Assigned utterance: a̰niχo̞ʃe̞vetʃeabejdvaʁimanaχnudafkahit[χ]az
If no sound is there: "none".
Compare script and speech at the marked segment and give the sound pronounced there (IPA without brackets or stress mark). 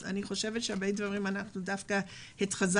χ